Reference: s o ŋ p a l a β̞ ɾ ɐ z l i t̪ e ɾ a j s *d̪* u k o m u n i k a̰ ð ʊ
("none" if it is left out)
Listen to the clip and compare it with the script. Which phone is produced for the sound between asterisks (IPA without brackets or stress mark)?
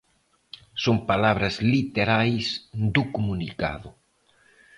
d̪